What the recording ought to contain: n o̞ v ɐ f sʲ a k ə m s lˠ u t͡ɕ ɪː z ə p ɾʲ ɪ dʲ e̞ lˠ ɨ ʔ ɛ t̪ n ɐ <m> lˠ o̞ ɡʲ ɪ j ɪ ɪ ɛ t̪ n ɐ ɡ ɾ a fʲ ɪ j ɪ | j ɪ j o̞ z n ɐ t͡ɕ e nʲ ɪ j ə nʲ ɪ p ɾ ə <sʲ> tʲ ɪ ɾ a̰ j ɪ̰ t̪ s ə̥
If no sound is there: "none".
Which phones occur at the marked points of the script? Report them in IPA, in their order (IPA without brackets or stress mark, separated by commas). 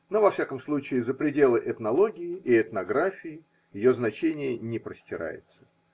none, sʲ